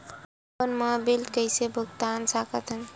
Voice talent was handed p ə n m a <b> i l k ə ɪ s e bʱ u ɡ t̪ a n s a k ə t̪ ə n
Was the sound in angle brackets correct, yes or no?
yes